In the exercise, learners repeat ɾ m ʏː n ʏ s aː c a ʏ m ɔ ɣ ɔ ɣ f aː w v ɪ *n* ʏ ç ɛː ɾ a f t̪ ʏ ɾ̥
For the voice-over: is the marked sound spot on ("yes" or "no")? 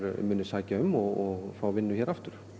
no